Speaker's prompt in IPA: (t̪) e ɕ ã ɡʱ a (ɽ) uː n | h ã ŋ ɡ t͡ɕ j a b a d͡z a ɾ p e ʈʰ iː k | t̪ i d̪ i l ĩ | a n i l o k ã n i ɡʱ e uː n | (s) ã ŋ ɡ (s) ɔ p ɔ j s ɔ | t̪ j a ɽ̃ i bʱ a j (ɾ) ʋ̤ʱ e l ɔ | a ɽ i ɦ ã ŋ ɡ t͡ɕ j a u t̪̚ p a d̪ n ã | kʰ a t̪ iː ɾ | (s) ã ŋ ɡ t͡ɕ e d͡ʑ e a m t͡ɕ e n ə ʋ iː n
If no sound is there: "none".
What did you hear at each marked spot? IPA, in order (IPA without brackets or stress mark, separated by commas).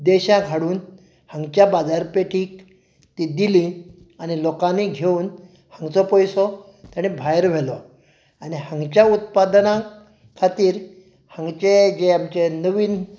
d̪, ɽ, h, t͡s, ɾ, h